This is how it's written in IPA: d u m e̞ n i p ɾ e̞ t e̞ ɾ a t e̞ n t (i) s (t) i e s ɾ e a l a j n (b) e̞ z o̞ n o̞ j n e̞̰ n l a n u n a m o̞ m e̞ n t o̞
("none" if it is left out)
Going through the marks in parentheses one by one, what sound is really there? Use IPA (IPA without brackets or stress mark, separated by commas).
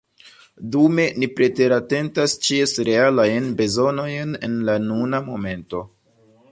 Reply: a, t͡ʃ, b